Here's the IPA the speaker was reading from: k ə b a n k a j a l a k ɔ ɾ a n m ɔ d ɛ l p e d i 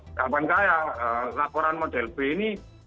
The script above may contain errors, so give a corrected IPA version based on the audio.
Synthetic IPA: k a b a n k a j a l a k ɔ ɾ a n m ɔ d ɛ l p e n i